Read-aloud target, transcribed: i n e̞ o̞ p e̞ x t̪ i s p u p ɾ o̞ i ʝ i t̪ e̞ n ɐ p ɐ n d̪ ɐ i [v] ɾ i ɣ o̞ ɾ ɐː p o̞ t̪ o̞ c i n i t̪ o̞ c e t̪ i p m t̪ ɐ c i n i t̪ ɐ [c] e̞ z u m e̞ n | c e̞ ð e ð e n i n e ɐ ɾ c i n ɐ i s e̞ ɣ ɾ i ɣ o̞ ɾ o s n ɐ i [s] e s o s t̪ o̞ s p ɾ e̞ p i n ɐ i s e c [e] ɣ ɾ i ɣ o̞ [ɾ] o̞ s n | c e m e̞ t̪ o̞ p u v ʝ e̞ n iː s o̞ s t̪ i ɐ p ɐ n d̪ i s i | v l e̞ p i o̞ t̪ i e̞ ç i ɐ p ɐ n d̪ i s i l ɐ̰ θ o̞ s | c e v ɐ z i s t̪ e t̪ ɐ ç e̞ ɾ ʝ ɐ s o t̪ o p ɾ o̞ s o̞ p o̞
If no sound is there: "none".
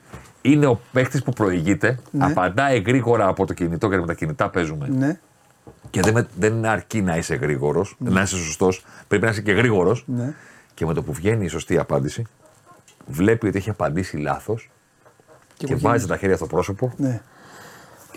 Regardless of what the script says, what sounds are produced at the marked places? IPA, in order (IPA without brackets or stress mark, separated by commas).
ɣ, p, s, e, ɾ